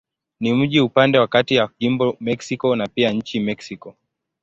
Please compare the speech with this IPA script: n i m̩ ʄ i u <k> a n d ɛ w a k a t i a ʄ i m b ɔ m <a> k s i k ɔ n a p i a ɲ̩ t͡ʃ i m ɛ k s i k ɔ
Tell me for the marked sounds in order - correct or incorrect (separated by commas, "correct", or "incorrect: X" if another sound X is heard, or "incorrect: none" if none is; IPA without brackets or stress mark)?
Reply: incorrect: p, incorrect: ɛ